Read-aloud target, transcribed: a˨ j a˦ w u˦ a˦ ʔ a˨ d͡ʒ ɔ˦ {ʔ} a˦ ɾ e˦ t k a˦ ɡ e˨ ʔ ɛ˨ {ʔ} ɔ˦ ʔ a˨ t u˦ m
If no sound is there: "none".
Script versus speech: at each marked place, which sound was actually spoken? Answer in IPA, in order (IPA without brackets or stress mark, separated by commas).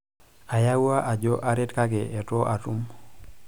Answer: ʔ, t